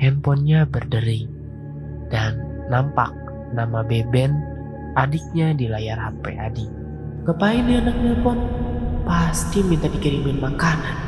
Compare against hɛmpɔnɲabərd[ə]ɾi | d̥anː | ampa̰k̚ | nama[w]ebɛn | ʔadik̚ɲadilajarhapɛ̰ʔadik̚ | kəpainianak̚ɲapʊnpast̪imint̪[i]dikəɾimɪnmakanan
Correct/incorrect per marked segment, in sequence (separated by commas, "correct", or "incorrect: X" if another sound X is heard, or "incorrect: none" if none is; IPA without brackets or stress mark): correct, incorrect: b, incorrect: a